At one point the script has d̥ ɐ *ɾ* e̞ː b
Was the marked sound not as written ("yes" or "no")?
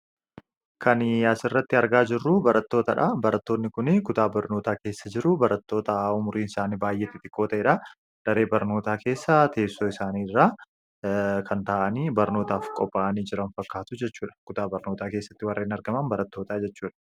no